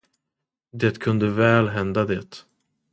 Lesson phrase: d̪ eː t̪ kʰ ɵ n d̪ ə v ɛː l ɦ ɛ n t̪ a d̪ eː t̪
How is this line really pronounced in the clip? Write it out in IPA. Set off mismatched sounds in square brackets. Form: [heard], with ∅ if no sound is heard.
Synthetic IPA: d̪ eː t̪ kʰ ɵ n d̪ ə v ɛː l ɦ ɛ n [d̪] a d̪ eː t̪